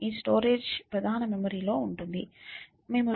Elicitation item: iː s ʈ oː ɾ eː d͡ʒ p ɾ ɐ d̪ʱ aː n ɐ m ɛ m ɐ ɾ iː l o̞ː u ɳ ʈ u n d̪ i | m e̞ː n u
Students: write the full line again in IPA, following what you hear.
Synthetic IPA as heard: iː s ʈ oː ɾ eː d͡ʒ p ɾ ɐ d̪ʱ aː n ɐ m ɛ m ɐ ɾ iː l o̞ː u ɳ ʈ u n d̪ i | m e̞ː m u